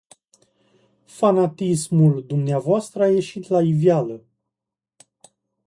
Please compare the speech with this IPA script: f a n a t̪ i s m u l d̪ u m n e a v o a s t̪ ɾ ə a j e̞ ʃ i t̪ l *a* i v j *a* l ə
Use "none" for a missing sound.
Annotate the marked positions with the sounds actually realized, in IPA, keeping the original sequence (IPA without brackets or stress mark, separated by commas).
a, a